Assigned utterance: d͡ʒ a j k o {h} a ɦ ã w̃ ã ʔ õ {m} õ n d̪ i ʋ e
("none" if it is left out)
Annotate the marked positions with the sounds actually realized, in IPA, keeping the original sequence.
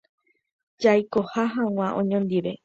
h, ɲ

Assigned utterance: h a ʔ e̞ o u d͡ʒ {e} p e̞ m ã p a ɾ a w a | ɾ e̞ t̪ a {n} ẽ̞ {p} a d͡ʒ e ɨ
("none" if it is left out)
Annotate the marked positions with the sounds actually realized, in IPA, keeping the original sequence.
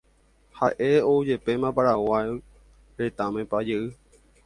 e, m, p

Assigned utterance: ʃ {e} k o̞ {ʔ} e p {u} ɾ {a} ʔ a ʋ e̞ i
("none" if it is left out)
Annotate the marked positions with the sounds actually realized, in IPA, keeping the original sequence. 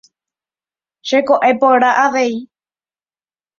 e, ʔ, o, a

